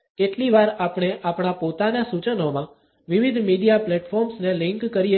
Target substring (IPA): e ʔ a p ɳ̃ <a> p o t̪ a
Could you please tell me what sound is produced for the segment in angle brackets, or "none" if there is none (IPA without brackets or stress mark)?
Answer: a